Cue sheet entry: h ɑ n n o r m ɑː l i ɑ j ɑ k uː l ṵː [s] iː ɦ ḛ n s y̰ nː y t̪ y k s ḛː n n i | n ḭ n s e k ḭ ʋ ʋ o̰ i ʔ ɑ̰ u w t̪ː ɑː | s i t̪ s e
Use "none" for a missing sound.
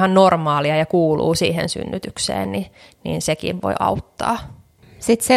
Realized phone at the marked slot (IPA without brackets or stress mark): s